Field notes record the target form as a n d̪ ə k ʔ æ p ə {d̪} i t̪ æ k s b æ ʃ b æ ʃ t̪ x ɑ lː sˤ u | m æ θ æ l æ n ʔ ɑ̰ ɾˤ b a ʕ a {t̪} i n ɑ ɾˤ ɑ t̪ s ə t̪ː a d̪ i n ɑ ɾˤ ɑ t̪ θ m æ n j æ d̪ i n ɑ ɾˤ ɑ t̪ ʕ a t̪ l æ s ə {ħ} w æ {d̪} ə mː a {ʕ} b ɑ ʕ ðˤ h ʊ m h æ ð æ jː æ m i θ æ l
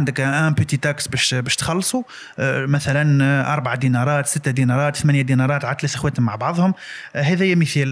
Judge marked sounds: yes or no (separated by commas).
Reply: no, no, no, no, yes